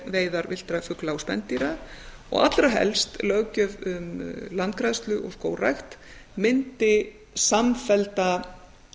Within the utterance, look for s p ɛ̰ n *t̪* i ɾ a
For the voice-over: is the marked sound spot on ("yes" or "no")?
yes